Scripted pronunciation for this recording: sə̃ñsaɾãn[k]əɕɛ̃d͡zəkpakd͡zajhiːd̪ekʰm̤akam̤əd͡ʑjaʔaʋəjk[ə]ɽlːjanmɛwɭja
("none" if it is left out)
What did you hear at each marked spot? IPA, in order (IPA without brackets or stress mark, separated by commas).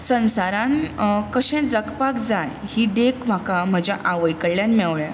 k, ə